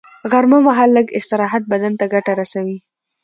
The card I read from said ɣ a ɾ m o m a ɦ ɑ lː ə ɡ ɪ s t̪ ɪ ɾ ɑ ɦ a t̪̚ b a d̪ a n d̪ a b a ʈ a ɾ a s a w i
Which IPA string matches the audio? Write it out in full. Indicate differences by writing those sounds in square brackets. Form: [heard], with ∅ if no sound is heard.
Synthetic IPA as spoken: ɣ a ɾ m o m a ɦ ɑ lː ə ɡ ɪ s t̪ ɪ ɾ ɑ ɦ a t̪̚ b a d̪ a n [t̪] a [ɡ] a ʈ a ɾ a s a w i